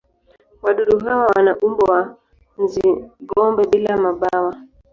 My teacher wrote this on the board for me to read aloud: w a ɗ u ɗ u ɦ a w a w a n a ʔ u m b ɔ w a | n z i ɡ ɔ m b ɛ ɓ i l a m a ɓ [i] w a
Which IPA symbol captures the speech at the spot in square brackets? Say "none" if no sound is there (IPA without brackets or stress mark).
a